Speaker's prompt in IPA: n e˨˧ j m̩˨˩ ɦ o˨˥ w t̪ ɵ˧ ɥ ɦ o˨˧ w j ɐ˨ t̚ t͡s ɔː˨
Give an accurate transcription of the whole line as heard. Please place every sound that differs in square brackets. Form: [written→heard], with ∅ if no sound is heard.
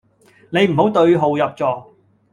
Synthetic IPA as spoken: n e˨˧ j m̩˨˩ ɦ o˨˥ w t̪ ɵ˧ ɥ ɦ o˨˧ w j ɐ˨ [t̚→p̚] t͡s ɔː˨

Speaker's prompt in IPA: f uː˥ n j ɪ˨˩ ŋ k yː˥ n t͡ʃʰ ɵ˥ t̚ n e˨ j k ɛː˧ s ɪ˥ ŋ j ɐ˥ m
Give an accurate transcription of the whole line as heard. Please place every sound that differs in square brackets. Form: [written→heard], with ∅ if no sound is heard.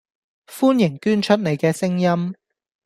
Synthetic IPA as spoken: f uː˥ n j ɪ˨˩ ŋ k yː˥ n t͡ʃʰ ɵ˥ t̚ n e˨ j k ɛː˧ s ɪ˥ ŋ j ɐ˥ m

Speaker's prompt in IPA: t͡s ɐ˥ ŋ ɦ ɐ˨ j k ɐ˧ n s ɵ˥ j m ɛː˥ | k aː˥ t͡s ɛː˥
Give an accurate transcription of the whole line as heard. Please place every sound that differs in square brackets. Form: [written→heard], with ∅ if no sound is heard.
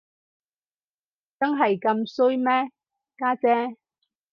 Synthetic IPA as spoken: t͡s ɐ˥ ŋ ɦ ɐ˨ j k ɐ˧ [n→m] s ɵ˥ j m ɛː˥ | k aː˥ t͡s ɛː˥

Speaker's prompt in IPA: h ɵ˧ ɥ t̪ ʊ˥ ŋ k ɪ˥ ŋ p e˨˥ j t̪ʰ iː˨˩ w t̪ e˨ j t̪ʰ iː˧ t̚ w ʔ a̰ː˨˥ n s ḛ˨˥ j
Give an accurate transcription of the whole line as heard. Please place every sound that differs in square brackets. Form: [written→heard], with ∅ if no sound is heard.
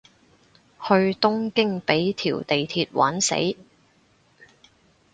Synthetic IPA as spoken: h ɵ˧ ɥ t̪ ʊ˥ ŋ k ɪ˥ ŋ p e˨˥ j t̪ʰ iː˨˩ w t̪ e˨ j t̪ʰ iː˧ t̚ w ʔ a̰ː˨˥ n s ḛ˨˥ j

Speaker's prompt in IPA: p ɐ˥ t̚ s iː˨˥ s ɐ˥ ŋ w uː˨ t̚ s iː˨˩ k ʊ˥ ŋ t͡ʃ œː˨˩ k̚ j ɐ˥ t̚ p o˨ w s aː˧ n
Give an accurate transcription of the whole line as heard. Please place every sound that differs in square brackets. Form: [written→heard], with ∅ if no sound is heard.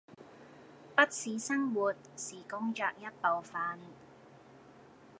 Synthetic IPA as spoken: p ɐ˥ t̚ s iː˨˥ s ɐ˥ ŋ w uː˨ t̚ s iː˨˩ k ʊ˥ ŋ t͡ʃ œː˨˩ k̚ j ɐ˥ t̚ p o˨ w [s→f] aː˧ n

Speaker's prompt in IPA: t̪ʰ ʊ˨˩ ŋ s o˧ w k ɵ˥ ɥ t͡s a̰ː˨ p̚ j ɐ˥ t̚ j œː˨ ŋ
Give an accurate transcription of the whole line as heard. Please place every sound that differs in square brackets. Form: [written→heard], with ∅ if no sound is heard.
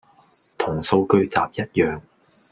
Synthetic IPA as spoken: t̪ʰ ʊ˨˩ ŋ s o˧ w k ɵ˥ ɥ t͡s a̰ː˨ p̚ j ɐ˥ t̚ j œː˨ ŋ

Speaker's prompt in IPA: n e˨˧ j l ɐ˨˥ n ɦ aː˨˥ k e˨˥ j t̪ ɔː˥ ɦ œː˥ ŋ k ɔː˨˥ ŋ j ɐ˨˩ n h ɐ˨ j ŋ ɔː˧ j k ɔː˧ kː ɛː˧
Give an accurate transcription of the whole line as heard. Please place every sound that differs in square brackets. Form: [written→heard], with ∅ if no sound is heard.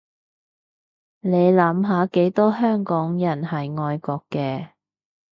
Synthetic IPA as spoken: n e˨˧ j l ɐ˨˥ [n→m] ɦ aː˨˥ k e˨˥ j t̪ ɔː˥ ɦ œː˥ ŋ k ɔː˨˥ ŋ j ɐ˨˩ n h ɐ˨ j ŋ ɔː˧ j k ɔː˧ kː ɛː˧

